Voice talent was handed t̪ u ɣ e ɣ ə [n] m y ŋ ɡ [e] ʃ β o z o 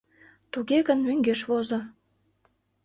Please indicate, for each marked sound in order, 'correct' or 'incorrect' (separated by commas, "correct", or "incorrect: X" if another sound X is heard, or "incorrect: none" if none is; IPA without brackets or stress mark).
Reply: correct, correct